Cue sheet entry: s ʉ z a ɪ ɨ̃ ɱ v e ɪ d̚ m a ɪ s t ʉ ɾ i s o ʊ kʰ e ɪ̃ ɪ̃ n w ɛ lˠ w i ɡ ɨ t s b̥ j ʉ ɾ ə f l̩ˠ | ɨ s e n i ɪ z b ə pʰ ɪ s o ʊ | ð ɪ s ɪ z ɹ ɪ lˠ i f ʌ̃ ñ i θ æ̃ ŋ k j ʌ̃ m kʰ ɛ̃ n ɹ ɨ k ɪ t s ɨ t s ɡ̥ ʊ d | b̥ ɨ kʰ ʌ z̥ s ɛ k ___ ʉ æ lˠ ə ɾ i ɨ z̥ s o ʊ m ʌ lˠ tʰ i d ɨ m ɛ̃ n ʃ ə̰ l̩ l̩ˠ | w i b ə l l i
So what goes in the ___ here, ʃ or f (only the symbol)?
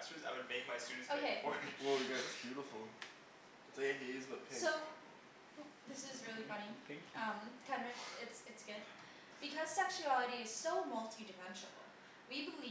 ʃ